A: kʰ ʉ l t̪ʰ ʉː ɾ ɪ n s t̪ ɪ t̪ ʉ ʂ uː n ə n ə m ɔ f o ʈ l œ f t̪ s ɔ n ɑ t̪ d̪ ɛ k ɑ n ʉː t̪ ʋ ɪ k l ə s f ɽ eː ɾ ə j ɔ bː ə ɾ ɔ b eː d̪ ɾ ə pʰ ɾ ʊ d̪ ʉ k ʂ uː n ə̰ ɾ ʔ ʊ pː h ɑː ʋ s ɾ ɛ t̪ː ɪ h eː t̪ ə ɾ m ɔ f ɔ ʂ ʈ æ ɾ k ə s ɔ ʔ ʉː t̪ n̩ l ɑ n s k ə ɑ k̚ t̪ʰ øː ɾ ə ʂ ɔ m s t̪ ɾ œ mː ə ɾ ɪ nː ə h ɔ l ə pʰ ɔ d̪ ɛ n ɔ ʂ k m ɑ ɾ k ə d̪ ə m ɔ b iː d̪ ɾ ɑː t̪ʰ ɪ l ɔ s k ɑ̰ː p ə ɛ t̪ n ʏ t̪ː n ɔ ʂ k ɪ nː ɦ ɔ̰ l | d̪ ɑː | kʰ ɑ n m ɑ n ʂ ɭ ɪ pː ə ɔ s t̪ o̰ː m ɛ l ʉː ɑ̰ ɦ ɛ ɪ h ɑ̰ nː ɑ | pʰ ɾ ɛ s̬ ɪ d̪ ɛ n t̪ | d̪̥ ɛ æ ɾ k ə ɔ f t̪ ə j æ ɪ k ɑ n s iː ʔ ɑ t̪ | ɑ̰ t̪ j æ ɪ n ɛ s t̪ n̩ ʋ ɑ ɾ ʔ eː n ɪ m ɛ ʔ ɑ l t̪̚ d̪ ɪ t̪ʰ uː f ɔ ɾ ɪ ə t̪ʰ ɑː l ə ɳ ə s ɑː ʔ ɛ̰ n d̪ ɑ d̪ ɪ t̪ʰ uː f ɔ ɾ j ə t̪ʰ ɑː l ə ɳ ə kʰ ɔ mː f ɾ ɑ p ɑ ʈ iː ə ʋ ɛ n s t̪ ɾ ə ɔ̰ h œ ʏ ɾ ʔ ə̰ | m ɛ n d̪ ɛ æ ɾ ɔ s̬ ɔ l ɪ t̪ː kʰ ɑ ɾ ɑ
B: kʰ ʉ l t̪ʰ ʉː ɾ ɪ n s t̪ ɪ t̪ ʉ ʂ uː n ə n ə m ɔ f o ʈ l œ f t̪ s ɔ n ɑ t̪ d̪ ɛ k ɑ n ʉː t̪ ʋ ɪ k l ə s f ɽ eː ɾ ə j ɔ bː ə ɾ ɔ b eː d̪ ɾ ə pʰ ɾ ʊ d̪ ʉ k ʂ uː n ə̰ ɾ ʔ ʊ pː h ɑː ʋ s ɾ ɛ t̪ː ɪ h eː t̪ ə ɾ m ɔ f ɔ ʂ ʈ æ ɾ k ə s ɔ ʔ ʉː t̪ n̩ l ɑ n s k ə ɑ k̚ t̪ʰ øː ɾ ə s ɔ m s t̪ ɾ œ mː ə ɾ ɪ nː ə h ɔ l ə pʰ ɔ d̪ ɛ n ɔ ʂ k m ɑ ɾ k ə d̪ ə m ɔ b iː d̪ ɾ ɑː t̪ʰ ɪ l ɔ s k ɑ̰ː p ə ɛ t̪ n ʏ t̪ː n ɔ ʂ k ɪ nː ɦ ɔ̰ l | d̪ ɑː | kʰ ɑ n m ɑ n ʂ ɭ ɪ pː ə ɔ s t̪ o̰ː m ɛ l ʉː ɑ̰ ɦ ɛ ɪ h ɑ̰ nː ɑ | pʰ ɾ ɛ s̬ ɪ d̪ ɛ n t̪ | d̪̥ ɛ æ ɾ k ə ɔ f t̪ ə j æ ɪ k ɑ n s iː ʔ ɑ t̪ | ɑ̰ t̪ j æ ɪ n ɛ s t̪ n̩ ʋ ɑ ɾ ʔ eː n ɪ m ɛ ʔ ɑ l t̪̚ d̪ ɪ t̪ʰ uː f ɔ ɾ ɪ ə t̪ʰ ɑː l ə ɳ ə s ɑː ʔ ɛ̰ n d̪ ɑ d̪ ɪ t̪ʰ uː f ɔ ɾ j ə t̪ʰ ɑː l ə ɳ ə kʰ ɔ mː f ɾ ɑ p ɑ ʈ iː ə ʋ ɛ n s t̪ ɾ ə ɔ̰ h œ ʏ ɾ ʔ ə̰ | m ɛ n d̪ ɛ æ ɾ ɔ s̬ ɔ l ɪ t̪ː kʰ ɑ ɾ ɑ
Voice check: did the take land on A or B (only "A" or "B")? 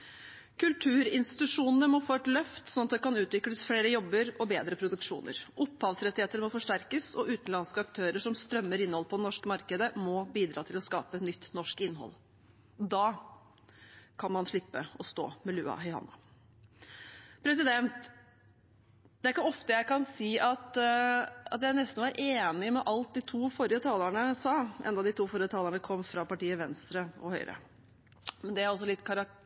A